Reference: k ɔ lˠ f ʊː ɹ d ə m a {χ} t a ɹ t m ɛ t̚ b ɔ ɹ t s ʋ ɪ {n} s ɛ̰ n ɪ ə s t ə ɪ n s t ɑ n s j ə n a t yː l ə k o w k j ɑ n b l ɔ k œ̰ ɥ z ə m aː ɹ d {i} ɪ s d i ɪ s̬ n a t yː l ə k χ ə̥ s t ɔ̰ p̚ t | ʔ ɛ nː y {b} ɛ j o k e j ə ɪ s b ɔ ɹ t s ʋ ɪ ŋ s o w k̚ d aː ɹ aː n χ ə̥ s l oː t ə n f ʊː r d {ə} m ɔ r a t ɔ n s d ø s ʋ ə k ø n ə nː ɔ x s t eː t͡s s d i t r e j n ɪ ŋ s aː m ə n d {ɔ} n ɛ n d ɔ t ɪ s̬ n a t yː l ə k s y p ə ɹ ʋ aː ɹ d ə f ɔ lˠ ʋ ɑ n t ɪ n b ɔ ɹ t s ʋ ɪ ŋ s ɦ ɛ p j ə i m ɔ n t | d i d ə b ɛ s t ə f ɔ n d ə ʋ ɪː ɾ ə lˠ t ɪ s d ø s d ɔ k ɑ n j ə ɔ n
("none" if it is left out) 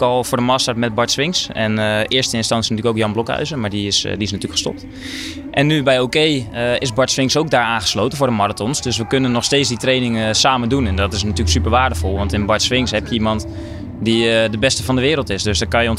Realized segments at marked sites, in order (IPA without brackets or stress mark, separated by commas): s, ŋ, i, b, ə, u